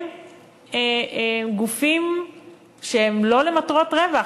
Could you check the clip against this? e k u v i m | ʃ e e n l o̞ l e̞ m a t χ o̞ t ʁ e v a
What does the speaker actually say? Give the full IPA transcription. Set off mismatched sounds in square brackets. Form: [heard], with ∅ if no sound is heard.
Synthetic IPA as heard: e [ɡ] u [f] i m | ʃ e e [m] l o̞ l e̞ m a t [ʁ] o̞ t ʁ e v a